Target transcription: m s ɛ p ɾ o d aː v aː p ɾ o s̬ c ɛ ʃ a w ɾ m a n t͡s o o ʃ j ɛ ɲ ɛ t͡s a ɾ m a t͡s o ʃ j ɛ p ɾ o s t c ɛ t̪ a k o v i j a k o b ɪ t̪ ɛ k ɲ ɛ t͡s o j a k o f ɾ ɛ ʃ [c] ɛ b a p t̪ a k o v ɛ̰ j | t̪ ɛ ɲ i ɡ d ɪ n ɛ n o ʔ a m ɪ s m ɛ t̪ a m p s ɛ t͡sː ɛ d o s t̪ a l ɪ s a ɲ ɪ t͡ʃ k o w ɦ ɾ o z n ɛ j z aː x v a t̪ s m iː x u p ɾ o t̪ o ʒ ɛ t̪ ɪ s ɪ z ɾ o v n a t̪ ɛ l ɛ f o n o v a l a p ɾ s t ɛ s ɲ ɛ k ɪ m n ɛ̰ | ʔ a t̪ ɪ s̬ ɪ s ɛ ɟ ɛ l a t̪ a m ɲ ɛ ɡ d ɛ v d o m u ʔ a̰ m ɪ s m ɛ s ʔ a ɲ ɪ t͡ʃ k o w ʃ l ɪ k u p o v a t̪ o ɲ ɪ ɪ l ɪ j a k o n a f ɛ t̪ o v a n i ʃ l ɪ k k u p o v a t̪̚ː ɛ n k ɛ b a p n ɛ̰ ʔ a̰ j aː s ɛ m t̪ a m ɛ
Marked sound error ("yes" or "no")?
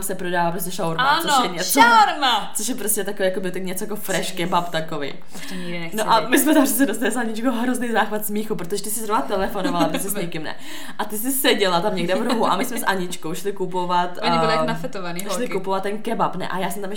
yes